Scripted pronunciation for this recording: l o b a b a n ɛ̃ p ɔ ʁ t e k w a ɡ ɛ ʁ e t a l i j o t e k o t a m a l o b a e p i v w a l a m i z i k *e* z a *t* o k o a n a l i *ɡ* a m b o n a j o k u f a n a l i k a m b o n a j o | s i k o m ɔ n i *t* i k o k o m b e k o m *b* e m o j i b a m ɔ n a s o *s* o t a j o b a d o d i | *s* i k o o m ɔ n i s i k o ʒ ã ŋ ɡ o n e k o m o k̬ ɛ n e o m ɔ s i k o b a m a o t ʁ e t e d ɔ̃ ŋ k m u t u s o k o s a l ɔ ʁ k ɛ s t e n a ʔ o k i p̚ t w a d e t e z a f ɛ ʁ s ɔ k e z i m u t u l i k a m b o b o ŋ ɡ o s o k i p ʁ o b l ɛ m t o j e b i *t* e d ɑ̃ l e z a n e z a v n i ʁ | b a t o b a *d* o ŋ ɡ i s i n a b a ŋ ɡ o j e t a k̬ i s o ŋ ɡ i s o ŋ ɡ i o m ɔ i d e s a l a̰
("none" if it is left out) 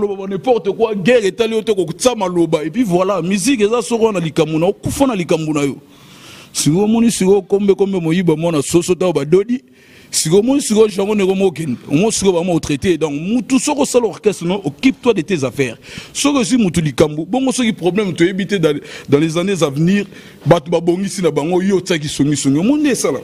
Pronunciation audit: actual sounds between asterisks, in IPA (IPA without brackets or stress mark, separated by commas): e, s, k, s, b, s, s, t, b